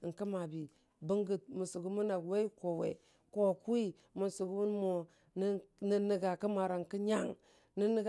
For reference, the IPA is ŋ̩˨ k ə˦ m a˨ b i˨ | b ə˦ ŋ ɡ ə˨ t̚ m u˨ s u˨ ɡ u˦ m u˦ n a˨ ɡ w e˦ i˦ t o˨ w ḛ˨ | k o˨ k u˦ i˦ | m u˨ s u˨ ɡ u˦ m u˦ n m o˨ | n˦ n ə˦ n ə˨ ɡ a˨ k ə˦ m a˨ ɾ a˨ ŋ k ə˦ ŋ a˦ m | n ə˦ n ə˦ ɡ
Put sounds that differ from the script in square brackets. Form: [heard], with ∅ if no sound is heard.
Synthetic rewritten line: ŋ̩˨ k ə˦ m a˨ b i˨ | b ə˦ ŋ ɡ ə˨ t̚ m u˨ s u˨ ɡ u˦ m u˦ n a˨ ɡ w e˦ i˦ [k] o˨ w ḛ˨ | k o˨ k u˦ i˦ | m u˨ s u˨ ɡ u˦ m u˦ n m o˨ | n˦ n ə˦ n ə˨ ɡ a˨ k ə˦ m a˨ ɾ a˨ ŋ k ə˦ [ɲ] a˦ [ŋ] | n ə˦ n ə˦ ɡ